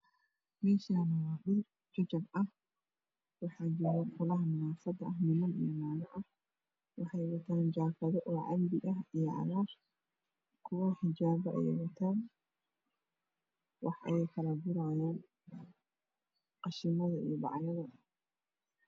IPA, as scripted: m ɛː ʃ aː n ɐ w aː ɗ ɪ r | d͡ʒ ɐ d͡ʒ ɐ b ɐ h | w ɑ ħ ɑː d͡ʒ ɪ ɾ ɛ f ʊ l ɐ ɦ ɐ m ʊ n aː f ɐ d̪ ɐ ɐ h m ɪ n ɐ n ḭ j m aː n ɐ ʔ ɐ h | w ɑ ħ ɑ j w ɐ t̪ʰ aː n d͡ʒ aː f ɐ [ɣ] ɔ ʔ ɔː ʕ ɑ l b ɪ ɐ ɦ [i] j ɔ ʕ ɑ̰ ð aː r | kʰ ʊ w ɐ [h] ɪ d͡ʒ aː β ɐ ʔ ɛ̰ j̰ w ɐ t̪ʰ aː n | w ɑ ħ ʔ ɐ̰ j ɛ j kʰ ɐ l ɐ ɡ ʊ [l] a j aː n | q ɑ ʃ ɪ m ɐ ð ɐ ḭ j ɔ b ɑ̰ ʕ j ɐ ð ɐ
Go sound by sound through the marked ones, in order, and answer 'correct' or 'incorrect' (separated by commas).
incorrect, correct, incorrect, incorrect